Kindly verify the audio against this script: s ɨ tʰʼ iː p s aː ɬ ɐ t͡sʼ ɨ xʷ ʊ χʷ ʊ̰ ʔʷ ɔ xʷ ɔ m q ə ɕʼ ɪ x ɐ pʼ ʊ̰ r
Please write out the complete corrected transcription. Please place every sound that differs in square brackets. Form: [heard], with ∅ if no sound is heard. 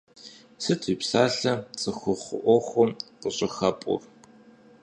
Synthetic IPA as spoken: s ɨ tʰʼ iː p s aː ɬ ɐ t͡sʼ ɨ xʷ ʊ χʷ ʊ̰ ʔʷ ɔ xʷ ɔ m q ə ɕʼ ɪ x ɐ pʼ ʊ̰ r